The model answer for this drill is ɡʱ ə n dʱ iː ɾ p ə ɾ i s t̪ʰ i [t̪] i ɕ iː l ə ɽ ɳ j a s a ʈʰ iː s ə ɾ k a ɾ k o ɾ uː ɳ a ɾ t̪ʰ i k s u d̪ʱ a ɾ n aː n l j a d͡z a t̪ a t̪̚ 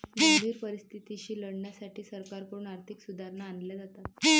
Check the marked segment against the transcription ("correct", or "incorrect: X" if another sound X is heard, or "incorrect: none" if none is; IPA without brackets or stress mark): correct